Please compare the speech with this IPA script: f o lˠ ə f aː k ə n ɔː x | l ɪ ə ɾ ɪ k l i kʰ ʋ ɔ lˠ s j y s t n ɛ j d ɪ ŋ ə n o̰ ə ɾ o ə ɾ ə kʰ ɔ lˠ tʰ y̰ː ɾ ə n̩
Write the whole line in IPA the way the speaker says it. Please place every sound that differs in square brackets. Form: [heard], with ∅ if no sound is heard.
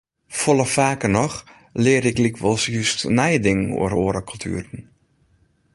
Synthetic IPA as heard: f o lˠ ə f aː k ə n [ɔ] x | l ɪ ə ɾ ɪ k l i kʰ ʋ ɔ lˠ s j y s t n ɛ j d ɪ ŋ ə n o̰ ə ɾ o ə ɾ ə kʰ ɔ lˠ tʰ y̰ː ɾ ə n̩